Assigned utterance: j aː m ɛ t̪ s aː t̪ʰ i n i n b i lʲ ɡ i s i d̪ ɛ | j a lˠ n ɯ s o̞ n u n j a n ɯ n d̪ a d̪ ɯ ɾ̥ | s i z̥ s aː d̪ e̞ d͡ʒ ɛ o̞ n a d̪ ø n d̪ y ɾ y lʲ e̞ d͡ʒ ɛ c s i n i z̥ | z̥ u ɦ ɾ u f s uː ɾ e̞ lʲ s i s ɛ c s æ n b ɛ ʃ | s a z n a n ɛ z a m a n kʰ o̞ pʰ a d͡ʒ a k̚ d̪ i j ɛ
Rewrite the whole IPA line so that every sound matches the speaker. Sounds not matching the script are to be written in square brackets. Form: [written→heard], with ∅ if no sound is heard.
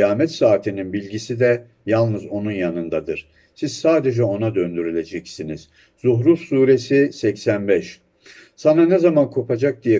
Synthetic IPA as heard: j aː m ɛ t̪ s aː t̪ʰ i n i n b i lʲ [ɡ→ɟ] i s i d̪ ɛ | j a lˠ n ɯ [s→z] o̞ n u n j a n ɯ n d̪ a d̪ ɯ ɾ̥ | s i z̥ s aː d̪ e̞ d͡ʒ ɛ o̞ n a d̪ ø n d̪ y ɾ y lʲ e̞ d͡ʒ ɛ c s i n i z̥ | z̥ u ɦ ɾ u f s uː ɾ e̞ [lʲ→∅] s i s ɛ c s æ n b ɛ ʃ | s a [z→∅] n a n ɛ z a m a n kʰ o̞ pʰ a d͡ʒ a k̚ d̪ i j ɛ

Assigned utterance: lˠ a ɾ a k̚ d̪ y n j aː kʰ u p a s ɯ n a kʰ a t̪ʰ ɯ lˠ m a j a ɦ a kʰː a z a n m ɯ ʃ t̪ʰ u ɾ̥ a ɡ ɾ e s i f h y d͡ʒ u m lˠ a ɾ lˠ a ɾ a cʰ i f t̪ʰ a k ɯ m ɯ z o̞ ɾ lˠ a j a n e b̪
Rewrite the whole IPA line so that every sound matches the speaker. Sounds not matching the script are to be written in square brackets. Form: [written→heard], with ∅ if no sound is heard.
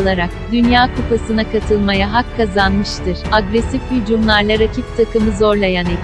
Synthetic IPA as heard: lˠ a ɾ a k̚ d̪ y n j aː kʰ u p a s ɯ n a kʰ a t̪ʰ ɯ lˠ m a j a ɦ a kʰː a z a n m ɯ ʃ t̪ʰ [u→ɯ] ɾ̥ a ɡ ɾ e s i f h y d͡ʒ u m lˠ a ɾ lˠ a ɾ a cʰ i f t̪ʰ a k ɯ m ɯ z o̞ ɾ lˠ a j a n e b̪

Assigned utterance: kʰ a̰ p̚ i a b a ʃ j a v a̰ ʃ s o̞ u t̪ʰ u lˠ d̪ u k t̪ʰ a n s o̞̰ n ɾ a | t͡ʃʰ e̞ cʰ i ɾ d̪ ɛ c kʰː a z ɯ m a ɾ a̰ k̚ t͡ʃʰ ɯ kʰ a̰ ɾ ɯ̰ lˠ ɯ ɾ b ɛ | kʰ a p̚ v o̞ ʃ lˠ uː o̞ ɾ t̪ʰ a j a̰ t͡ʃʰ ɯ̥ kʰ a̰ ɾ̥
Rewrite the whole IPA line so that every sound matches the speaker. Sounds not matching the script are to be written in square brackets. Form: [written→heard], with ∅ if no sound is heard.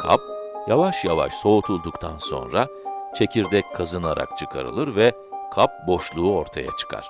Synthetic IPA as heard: kʰ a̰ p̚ [i→j] a [b→v] a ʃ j a v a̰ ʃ s o̞ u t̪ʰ u lˠ d̪ u k t̪ʰ a n s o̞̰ n ɾ a | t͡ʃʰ e̞ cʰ i ɾ d̪ ɛ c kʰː a z ɯ [m→n] a ɾ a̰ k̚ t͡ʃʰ ɯ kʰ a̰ ɾ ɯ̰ lˠ ɯ ɾ [b→v] ɛ | kʰ a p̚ [v→b] o̞ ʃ lˠ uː o̞ ɾ t̪ʰ a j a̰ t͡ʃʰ ɯ̥ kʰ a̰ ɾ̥

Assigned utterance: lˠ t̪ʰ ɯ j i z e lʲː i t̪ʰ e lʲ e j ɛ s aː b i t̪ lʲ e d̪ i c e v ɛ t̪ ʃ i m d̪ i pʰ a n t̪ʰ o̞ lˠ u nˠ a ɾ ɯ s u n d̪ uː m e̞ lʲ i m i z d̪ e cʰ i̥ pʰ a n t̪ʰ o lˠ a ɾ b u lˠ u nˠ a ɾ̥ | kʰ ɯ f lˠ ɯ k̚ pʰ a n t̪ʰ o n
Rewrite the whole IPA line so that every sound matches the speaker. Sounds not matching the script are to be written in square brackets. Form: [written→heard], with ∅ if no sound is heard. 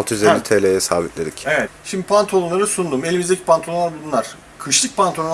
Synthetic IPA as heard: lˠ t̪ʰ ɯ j [i→y] z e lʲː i t̪ʰ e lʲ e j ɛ s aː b i t̪ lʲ e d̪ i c e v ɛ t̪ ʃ i m d̪ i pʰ a n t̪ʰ o̞ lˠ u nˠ a ɾ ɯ s u n d̪ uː m e̞ lʲ i m i z d̪ e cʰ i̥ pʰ a n t̪ʰ o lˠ a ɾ b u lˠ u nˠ a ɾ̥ | kʰ ɯ [f→ʃ] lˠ ɯ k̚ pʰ a n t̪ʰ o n

